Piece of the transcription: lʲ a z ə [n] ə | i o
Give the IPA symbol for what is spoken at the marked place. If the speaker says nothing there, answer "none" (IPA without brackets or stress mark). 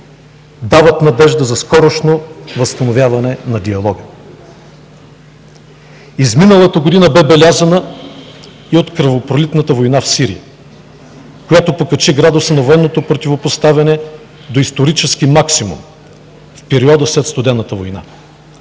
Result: n